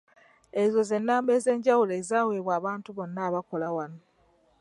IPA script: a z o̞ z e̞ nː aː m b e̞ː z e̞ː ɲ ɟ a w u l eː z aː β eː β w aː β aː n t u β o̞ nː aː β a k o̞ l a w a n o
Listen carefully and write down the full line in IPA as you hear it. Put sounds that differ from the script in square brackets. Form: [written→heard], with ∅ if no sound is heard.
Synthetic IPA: [a→e] z o̞ z e̞ nː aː m b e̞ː z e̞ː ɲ ɟ a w u l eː z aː [β→w] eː β w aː β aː n t u β o̞ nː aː β a k o̞ l a w a n o